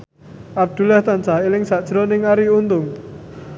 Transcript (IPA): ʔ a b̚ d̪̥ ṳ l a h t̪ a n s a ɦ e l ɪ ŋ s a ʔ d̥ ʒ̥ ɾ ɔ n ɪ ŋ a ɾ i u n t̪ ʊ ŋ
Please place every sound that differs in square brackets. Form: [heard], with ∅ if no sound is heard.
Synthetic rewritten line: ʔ a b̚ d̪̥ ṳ l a h t̪ a n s a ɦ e l ɪ ŋ s a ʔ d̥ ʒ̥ ɾ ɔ n ɪ ŋ a ɾ i u n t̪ ʊ ŋ